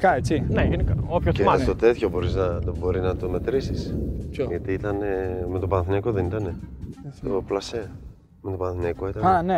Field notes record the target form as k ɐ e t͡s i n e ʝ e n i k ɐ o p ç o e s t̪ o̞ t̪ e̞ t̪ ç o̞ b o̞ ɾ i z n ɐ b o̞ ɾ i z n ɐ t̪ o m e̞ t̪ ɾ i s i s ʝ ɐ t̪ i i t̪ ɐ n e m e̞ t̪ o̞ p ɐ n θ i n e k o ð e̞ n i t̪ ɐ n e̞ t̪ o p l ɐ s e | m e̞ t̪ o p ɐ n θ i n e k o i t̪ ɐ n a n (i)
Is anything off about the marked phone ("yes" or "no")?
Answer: yes